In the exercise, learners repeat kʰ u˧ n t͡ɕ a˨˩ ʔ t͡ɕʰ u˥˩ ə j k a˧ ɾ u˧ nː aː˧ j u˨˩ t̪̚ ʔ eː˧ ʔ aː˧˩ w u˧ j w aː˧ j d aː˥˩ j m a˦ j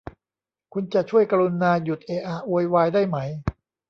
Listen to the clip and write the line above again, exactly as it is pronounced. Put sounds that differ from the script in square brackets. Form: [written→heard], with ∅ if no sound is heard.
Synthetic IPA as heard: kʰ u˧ n t͡ɕ a˨˩ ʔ t͡ɕʰ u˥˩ ə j k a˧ ɾ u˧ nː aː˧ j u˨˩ t̪̚ ʔ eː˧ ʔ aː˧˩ w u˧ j w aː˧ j d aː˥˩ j m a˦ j